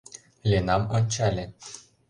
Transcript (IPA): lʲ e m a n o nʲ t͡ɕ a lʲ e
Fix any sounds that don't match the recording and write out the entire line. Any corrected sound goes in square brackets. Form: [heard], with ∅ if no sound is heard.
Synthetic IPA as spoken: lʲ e [n] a [m] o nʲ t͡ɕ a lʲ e